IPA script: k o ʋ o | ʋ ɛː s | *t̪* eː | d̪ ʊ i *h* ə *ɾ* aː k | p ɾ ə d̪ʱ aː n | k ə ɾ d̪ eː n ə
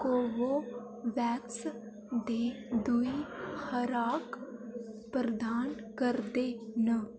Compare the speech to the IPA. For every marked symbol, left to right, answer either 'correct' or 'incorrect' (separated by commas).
incorrect, correct, correct